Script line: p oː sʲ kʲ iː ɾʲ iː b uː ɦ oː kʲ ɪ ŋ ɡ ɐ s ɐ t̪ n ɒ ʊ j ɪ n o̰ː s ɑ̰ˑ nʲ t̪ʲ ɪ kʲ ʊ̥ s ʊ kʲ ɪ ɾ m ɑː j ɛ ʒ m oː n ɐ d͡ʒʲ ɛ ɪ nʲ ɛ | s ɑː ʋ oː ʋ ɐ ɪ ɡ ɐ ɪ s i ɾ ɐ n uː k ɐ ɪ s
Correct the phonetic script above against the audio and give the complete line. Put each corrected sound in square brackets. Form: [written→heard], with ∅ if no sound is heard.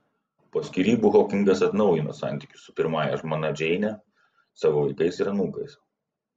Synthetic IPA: p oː sʲ kʲ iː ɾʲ iː b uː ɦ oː kʲ ɪ ŋ ɡ ɐ s ɐ t̪ n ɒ ʊ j ɪ n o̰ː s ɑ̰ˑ nʲ t̪ʲ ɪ kʲ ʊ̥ s ʊ [kʲ→pʲ] ɪ ɾ m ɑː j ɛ ʒ m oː n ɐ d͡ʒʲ ɛ ɪ nʲ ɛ | s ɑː ʋ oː ʋ ɐ ɪ [ɡ→k] ɐ ɪ s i ɾ ɐ n uː k ɐ ɪ s